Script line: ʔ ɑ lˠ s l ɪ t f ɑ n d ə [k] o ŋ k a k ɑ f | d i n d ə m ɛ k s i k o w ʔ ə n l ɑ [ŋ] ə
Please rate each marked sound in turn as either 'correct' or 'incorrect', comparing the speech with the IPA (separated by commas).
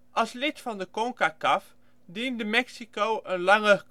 correct, correct